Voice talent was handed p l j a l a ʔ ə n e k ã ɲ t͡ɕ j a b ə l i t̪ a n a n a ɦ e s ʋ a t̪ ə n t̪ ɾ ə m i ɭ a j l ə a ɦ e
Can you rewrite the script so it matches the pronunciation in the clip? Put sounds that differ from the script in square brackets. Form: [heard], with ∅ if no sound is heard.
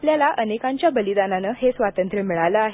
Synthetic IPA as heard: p l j a l a ʔ ə n e k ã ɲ t͡ɕ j a b ə l i [d̪] a n a n [ə] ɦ e s ʋ a t̪ ə n t̪ ɾ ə m i ɭ a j l ə a ɦ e